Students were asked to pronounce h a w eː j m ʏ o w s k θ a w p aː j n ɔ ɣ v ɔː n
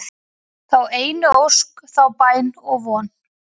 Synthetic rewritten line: θ a w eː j n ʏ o w s k θ a w p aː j n ɔ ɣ v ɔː n